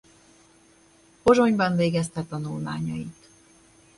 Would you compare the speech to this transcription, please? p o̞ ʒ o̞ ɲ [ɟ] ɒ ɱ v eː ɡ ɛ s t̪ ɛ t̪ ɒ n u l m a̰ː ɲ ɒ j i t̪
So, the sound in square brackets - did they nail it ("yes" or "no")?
no